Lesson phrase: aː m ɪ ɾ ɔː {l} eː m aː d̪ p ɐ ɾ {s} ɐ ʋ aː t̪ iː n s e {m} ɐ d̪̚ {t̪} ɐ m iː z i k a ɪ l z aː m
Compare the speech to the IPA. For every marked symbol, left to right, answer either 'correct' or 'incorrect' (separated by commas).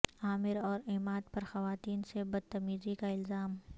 incorrect, incorrect, incorrect, correct